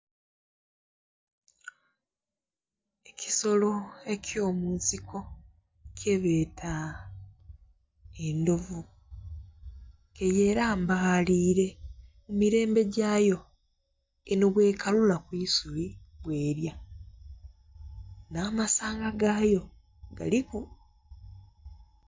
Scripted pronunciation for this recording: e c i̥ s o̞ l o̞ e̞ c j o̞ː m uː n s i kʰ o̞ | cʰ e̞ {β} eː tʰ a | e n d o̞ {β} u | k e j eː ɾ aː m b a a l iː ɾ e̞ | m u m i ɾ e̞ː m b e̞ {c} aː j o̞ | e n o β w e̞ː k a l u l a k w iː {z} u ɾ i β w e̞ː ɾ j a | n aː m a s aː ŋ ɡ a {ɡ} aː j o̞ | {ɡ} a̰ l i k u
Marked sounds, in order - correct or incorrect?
correct, incorrect, incorrect, incorrect, correct, correct

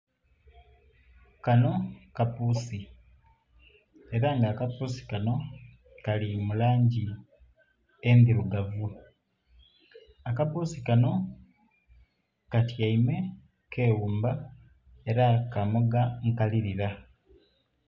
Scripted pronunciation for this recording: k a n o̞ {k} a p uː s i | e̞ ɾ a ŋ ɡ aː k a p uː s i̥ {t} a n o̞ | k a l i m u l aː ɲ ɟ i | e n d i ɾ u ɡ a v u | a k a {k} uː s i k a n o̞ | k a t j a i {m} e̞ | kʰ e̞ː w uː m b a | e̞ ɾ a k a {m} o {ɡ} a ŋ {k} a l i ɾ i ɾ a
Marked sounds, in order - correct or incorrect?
correct, incorrect, incorrect, correct, correct, correct, correct

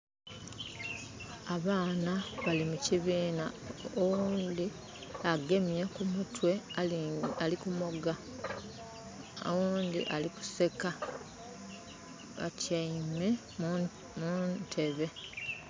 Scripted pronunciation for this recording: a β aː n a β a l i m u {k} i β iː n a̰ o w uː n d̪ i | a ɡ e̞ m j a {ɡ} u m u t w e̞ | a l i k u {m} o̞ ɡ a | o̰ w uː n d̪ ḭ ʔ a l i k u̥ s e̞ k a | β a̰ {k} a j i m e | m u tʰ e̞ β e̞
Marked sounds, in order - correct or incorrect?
incorrect, incorrect, correct, incorrect

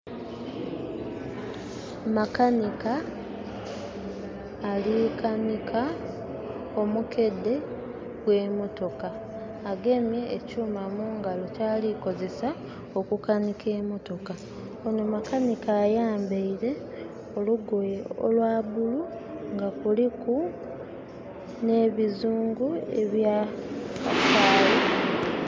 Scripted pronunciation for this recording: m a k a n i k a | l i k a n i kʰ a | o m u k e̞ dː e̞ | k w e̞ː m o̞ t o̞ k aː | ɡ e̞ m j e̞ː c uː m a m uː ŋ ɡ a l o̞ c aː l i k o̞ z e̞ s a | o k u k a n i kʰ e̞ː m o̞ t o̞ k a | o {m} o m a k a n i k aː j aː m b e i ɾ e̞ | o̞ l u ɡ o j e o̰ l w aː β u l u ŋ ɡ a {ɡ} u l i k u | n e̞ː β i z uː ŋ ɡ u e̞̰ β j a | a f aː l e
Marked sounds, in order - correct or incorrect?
incorrect, incorrect

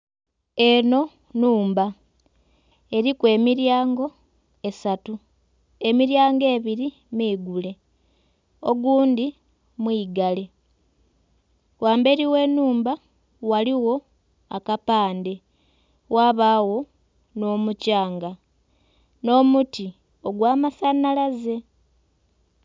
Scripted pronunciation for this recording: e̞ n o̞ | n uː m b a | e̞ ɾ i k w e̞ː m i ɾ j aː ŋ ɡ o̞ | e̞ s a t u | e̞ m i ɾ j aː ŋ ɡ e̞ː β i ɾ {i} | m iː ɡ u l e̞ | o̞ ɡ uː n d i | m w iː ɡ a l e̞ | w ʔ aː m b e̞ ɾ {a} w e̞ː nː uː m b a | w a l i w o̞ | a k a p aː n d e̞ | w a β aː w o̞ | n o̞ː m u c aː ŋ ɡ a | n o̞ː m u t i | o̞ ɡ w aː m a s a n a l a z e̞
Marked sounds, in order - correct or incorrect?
correct, incorrect

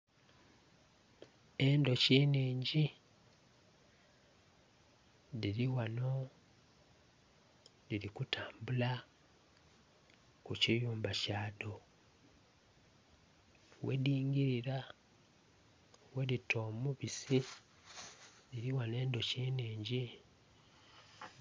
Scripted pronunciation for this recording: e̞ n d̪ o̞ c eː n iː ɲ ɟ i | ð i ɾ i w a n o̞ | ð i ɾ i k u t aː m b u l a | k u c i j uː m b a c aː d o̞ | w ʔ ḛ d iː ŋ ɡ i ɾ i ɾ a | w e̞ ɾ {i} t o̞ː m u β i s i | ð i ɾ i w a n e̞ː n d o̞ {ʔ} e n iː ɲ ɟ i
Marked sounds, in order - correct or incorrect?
correct, incorrect

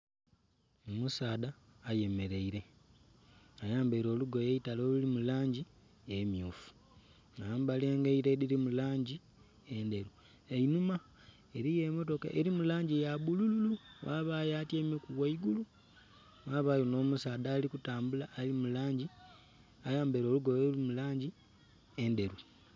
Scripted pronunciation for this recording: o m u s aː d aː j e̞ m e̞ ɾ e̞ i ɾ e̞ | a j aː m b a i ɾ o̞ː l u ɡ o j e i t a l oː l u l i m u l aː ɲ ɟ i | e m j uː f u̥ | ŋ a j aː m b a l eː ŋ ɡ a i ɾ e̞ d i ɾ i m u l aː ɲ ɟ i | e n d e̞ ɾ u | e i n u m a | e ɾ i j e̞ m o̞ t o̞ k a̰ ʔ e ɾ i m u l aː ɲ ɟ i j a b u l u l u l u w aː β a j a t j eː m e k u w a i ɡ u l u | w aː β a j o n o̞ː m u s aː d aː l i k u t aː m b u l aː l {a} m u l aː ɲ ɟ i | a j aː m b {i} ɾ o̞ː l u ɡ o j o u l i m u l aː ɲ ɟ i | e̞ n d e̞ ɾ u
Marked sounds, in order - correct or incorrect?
incorrect, incorrect

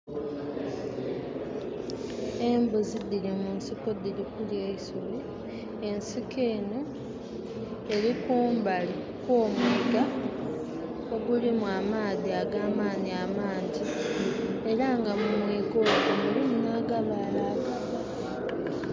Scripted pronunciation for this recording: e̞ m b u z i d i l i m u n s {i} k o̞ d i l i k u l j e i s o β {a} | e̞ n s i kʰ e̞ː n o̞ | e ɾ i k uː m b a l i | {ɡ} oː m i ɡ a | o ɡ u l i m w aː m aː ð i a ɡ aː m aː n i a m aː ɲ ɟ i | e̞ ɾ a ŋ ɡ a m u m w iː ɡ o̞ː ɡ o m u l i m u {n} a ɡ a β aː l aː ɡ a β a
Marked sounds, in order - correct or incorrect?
correct, incorrect, incorrect, correct

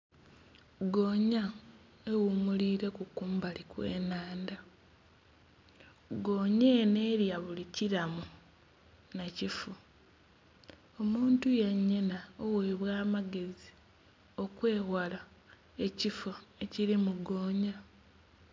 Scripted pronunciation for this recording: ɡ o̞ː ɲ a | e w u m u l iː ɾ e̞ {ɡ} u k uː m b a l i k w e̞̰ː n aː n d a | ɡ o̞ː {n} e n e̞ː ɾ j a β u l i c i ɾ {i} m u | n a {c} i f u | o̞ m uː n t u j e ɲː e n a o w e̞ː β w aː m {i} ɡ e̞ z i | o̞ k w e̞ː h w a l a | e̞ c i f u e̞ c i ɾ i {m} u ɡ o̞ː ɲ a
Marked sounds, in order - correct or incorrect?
incorrect, incorrect, incorrect, correct, incorrect, correct

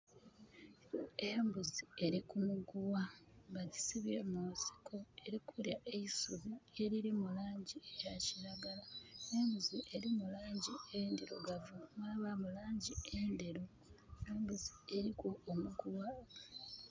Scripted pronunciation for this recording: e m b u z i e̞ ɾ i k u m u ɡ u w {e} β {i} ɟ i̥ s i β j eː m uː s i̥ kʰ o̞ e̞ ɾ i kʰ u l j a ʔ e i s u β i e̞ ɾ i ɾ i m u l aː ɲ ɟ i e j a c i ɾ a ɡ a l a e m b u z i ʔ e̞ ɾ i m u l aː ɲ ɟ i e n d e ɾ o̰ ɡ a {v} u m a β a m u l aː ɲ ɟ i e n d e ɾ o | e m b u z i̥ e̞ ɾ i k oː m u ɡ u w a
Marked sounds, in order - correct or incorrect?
incorrect, incorrect, correct

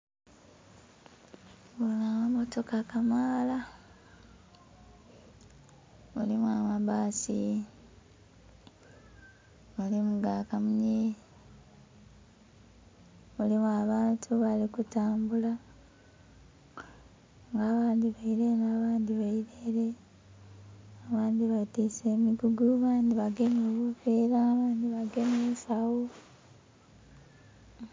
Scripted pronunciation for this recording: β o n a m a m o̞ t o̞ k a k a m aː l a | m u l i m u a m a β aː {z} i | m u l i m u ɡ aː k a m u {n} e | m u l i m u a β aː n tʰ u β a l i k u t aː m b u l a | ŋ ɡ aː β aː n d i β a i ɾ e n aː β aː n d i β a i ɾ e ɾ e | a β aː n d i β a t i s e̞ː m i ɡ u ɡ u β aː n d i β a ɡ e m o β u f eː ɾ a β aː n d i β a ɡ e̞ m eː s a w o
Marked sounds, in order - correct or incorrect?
incorrect, incorrect

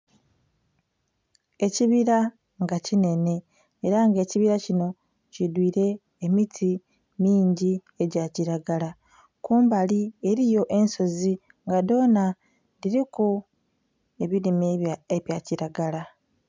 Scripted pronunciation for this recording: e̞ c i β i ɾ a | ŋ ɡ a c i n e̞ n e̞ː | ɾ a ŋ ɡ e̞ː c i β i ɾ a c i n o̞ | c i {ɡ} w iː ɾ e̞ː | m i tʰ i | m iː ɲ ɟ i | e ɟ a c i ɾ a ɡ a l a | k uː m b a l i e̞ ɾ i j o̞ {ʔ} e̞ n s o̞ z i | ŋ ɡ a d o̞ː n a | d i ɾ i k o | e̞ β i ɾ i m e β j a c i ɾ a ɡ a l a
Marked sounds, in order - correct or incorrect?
incorrect, correct

